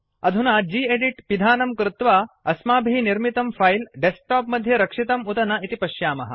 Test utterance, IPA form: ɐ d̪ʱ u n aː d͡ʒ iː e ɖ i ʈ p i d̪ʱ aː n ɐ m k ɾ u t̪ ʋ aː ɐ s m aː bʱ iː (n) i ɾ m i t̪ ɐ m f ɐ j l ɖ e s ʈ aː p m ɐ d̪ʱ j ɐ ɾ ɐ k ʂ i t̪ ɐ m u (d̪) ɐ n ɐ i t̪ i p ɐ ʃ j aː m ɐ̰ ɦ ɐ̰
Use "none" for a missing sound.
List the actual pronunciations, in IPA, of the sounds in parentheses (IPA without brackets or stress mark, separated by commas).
n, t̪